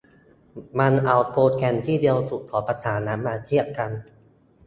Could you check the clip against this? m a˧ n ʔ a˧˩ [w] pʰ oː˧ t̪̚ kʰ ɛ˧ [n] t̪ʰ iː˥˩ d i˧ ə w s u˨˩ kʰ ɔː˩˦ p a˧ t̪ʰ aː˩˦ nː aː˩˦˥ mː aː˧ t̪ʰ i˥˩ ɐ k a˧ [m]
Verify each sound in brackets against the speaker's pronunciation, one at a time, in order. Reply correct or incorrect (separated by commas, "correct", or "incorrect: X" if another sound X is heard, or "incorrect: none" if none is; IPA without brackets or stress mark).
correct, correct, incorrect: n